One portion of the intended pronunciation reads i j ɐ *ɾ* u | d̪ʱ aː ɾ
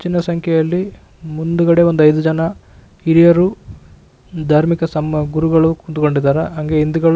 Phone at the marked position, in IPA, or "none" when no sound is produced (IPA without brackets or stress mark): ɾ